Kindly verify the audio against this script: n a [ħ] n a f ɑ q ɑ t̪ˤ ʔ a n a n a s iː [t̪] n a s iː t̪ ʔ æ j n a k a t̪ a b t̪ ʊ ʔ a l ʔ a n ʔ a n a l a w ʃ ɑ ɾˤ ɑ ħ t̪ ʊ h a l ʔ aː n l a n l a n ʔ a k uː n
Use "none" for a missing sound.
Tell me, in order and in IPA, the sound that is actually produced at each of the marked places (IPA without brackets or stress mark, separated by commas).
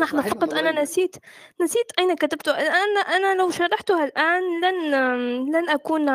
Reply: ħ, t̪